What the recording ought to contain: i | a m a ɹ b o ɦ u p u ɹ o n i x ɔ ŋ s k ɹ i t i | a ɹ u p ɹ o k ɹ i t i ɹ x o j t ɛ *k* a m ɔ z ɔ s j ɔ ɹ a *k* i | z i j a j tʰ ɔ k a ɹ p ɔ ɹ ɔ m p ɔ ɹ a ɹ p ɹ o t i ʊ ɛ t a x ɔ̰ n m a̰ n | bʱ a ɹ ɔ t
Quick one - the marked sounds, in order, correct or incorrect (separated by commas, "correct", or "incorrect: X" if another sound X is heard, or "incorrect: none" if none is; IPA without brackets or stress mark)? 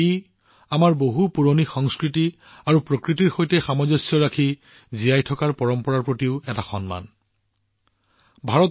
incorrect: x, incorrect: kʰ